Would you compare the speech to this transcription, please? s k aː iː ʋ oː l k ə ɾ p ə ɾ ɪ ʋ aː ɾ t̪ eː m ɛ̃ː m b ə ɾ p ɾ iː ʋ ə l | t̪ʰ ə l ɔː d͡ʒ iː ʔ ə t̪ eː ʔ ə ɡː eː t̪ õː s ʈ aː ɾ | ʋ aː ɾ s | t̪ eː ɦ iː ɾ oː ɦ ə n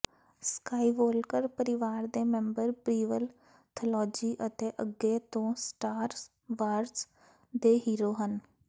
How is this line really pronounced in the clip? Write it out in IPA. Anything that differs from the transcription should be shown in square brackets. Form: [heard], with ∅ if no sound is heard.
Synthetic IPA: s k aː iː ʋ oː l k ə ɾ p ə ɾ ɪ ʋ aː ɾ [d̪] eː m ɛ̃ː m b ə ɾ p ɾ iː ʋ ə l | t̪ʰ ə l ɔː d͡ʒ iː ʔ ə t̪ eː ʔ ə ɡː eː t̪ õː s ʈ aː ɾ | ʋ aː ɾ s | [d̪] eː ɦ iː ɾ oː ɦ ə n

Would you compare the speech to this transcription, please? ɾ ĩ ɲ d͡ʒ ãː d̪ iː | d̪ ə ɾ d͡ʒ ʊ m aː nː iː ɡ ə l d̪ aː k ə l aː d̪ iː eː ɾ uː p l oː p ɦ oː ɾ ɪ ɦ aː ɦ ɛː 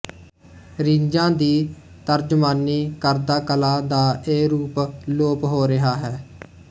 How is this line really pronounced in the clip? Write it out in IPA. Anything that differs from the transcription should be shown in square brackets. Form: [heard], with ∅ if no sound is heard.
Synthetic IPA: ɾ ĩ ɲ d͡ʒ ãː d̪ iː | [t̪] ə ɾ d͡ʒ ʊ m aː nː iː [k] ə [ɾ] d̪ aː k ə l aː d̪ [aː] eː ɾ uː p l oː p ɦ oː ɾ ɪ ɦ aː ɦ ɛː

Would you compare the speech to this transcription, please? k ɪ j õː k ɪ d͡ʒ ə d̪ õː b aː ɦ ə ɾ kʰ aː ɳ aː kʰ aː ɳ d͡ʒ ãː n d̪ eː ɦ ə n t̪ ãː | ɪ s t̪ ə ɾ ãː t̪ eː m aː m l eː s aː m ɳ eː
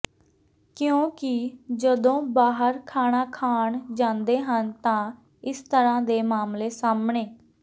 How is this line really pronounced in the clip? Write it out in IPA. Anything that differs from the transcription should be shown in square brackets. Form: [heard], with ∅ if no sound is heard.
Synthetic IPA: k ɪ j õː k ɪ d͡ʒ ə d̪ õː b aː ɦ ə ɾ kʰ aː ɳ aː kʰ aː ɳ d͡ʒ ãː n d̪ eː ɦ ə n t̪ ãː | ɪ s t̪ ə ɾ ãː [d̪] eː m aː m l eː s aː m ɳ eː

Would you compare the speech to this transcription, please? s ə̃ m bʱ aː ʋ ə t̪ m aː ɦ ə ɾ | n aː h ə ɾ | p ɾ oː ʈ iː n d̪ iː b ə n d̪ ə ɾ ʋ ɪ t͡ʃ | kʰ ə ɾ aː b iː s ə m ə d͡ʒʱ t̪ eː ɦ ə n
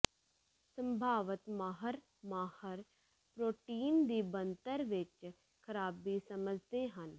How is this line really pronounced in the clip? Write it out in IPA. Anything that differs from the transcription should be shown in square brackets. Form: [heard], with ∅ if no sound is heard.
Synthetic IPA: s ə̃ m bʱ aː ʋ ə t̪ m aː ɦ ə ɾ | [m] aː h ə ɾ | p ɾ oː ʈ iː n d̪ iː b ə n [t̪] ə ɾ ʋ ɪ t͡ʃ | kʰ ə ɾ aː b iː s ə m ə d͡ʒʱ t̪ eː ɦ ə n

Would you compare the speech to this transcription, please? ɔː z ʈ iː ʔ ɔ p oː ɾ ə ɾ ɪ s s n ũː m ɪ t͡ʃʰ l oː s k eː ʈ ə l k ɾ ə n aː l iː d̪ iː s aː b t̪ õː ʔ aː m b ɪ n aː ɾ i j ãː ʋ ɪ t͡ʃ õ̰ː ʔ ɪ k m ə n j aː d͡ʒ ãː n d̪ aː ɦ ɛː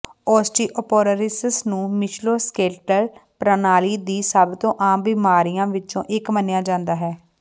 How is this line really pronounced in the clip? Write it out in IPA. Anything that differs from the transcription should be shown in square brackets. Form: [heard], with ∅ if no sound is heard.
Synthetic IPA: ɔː [s] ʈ iː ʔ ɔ p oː ɾ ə ɾ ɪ s s n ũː m ɪ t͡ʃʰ l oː s k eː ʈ ə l [p] ɾ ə n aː l iː d̪ iː s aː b t̪ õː ʔ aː m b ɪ [m] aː ɾ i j ãː ʋ ɪ t͡ʃ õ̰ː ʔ ɪ k m ə n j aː d͡ʒ ãː n d̪ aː ɦ ɛː

